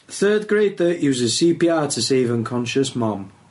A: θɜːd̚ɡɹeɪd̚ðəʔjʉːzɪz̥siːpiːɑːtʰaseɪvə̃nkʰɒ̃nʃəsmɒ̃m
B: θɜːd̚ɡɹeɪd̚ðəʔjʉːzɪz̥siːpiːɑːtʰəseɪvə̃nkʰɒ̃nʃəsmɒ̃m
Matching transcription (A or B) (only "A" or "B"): B